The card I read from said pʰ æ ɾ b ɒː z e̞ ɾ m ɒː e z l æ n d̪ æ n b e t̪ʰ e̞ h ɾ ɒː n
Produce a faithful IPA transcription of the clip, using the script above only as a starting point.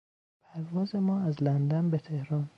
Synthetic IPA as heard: pʰ æ ɾ v ɒː z e̞ m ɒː æ z l æ n d̪ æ n b e t̪ʰ e̞ h ɾ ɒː n

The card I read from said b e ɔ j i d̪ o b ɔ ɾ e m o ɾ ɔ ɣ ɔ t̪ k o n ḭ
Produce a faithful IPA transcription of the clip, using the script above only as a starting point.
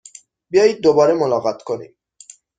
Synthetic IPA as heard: b i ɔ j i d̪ o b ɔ ɾ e m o l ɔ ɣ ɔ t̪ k o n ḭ

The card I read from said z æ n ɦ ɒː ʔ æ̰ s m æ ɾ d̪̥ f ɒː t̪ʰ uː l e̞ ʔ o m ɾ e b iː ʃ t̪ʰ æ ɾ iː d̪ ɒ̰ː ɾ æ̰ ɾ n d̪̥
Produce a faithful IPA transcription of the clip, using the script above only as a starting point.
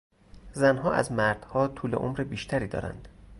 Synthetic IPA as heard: z æ n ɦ ɒː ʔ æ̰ z m æ ɾ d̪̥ h ɒː t̪ʰ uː l e̞ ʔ o m ɾ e b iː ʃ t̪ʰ æ ɾ iː d̪ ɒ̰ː ɾ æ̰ n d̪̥

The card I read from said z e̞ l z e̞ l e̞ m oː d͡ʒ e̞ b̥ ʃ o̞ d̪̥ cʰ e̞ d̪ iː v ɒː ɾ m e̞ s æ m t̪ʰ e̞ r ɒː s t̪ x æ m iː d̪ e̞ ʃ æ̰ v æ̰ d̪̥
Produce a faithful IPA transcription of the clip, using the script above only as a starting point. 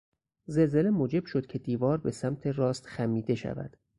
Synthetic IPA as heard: z e̞ l z e̞ l e̞ m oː d͡ʒ e̞ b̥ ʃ o̞ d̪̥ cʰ e̞ d̪ iː v ɒː ɾ b e̞ s æ m t̪ʰ e̞ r ɒː s t̪ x æ m iː d̪ e̞ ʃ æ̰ v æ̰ d̪̥

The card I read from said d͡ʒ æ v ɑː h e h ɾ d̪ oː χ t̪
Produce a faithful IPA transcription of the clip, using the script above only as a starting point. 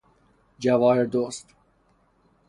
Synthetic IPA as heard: d͡ʒ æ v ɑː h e ɾ d̪ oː s t̪

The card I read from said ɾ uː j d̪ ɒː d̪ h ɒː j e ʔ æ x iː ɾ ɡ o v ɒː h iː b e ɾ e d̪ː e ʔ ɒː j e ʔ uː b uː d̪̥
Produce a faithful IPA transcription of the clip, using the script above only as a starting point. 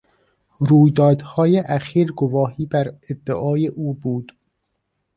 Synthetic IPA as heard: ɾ uː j d̪ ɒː d̪ h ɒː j e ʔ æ x iː ɾ ɡ o v ɒː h iː b æ ɾ e d̪ː e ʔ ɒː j e ʔ uː b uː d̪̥

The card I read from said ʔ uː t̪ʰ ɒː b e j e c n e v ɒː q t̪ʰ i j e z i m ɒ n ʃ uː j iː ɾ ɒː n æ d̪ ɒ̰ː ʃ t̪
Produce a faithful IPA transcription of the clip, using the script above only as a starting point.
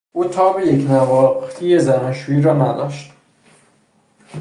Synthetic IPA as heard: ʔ uː t̪ʰ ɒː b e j e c n æ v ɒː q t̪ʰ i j e z æ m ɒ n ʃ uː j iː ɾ ɒː n æ d̪ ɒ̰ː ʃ t̪

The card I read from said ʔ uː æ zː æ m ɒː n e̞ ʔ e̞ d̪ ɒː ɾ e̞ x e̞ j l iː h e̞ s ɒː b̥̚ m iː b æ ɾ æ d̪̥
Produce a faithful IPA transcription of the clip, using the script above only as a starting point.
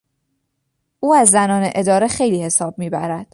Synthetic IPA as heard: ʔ uː æ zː æ n ɒː n e̞ ʔ e̞ d̪ ɒː ɾ e̞ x e̞ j l iː h e̞ s ɒː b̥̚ m iː b æ ɾ æ d̪̥

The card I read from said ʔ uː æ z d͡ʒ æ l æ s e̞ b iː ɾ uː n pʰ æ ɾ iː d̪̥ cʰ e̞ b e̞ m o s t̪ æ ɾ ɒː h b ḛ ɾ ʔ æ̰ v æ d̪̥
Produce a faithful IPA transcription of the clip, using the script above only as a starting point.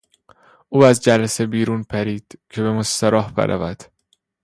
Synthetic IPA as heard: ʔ uː æ z d͡ʒ æ l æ s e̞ b iː ɾ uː n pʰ æ ɾ iː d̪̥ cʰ e̞ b e̞ m o s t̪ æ ɾ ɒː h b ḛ ɾ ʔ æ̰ v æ d̪̥

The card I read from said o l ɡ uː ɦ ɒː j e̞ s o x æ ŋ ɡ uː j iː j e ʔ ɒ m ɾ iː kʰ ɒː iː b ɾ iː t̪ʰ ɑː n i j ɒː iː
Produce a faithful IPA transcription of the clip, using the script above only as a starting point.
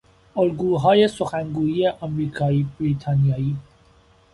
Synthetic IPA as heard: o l ɡ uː ɦ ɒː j e̞ s o x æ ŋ ɡ uː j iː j e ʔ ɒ m ɾ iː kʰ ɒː iː b ɾ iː t̪ʰ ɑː n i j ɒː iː

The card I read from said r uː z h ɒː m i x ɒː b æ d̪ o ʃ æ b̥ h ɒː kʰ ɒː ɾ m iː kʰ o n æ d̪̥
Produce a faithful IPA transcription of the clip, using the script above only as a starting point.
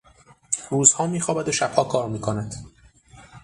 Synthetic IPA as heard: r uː z h ɒː m iː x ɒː b æ d̪ o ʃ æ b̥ h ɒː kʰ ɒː ɾ m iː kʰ o n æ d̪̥

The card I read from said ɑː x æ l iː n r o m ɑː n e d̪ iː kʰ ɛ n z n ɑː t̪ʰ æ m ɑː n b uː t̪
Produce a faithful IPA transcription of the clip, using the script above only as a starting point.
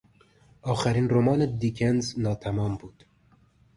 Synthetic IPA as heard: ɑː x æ ɾ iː n r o m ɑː n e d̪ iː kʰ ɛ n z n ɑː t̪ʰ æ m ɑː m b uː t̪

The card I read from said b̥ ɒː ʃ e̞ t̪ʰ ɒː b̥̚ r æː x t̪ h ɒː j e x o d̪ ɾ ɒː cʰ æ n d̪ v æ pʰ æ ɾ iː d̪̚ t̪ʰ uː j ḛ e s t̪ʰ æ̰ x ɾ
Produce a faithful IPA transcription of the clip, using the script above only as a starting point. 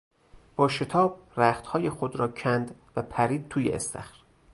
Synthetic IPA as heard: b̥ ɒː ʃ e̞ t̪ʰ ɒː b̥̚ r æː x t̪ h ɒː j e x o d̪ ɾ ɒː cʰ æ n d̪ v æ pʰ æ ɾ iː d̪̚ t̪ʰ uː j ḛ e s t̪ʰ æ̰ x ɾ

